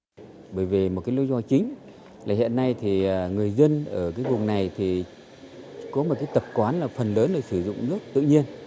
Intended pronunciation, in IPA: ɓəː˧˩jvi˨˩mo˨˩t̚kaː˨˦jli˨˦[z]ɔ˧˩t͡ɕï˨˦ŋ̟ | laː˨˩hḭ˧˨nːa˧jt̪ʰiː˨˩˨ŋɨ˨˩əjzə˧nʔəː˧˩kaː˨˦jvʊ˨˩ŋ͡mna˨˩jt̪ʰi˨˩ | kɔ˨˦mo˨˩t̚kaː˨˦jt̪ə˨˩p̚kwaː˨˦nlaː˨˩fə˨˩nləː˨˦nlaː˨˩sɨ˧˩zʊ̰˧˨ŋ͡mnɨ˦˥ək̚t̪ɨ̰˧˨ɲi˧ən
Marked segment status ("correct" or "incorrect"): correct